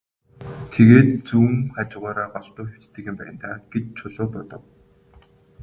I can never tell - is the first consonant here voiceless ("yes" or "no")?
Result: yes